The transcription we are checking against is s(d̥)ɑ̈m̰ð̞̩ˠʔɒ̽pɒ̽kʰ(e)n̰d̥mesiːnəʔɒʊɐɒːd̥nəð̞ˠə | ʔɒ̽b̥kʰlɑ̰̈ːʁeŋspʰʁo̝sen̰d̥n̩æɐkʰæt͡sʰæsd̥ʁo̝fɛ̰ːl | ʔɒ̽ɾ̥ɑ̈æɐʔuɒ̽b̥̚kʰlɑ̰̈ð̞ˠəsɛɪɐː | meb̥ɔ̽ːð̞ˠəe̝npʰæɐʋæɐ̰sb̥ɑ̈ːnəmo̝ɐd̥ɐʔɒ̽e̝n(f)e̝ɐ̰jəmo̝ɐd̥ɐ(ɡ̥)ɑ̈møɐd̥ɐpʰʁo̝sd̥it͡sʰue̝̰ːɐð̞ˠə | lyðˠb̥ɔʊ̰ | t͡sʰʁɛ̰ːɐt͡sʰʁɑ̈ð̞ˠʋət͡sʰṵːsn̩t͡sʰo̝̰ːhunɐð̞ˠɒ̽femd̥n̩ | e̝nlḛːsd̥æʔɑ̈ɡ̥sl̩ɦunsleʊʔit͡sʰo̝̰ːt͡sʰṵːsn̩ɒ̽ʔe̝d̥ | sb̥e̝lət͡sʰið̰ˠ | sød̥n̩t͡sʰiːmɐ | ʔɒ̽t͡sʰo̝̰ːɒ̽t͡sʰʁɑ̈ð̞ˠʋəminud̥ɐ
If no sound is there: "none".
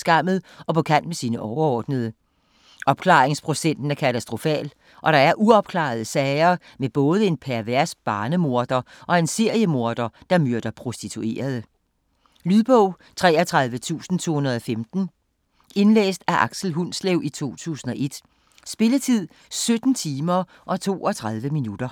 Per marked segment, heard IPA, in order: ɡ̥, æ, s, d̥

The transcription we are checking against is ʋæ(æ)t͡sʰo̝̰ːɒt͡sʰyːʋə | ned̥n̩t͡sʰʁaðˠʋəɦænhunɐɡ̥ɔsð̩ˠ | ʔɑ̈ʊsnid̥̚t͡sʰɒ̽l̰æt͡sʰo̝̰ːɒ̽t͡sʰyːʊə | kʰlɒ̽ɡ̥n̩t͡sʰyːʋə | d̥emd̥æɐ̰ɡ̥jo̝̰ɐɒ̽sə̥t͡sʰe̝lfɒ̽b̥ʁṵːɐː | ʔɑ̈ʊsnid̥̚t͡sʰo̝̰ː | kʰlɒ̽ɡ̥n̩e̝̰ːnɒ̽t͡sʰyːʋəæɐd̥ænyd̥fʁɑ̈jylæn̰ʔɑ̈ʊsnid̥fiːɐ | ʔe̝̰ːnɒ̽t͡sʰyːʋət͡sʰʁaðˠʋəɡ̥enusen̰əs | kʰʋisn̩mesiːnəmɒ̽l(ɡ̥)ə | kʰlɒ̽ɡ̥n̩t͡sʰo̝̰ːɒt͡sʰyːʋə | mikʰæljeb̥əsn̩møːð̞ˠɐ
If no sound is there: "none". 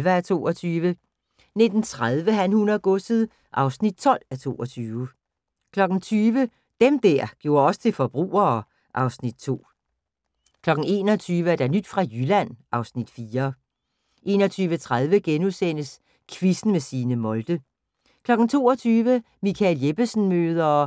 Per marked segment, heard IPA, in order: æ, d̥

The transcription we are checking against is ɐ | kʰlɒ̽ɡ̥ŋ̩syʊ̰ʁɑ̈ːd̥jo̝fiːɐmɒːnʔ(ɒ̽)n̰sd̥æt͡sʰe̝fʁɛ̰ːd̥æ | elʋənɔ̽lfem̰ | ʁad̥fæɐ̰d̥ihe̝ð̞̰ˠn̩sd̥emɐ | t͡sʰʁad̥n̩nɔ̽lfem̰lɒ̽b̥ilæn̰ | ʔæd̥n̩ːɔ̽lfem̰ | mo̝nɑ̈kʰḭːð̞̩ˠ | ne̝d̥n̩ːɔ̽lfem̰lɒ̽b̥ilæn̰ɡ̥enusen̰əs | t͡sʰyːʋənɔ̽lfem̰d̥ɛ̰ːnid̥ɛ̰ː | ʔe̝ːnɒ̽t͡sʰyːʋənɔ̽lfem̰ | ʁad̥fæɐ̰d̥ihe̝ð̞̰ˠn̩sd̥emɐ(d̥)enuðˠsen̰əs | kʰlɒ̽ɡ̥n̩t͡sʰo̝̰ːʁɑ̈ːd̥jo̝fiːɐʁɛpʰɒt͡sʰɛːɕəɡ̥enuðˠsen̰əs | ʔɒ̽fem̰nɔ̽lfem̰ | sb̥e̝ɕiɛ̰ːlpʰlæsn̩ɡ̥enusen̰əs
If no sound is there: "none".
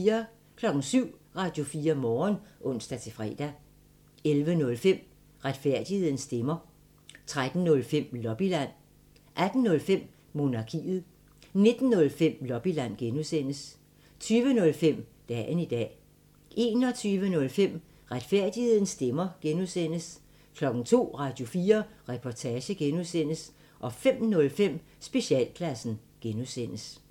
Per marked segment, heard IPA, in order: ɔ̽, ɡ̥

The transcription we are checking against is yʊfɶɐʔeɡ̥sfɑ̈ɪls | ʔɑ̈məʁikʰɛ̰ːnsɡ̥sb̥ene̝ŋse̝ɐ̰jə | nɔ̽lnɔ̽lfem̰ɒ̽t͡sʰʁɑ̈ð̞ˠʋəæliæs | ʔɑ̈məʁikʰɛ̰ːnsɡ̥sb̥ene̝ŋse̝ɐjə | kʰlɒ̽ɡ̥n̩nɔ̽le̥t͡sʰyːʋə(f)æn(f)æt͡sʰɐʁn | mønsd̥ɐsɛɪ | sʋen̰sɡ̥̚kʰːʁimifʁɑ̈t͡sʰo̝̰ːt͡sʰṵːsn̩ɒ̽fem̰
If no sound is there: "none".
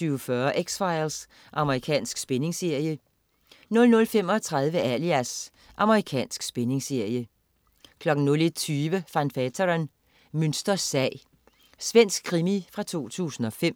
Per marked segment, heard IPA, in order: f, f

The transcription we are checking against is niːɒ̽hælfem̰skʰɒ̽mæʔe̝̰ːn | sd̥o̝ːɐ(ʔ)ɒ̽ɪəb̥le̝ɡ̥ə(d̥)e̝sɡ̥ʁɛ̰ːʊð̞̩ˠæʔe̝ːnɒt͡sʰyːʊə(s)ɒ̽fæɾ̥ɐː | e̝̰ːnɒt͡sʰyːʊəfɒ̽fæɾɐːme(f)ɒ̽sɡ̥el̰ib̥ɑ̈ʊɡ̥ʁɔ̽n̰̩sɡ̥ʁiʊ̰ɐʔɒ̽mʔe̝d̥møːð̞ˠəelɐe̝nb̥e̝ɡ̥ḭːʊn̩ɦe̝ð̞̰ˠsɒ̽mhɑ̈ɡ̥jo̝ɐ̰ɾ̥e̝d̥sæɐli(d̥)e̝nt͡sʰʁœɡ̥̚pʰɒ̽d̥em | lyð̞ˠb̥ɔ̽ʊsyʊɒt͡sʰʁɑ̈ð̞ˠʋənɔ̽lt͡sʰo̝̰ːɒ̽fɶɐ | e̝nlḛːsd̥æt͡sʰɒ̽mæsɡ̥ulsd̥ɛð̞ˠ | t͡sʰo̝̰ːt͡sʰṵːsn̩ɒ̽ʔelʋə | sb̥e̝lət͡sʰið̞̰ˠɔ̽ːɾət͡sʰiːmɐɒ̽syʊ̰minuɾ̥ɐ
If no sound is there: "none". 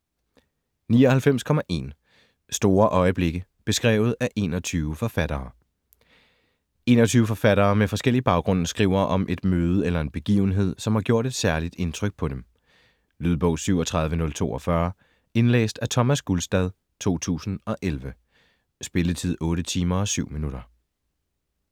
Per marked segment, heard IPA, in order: ʔ, b̥, f, f, d̥

